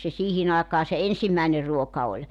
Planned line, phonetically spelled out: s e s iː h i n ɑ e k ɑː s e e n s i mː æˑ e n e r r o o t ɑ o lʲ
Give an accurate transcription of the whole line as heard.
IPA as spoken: s e s iː h i n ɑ e k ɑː s e e n s i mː æˑ e n e r r u o k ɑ o lʲ